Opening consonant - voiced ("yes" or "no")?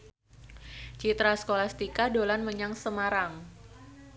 no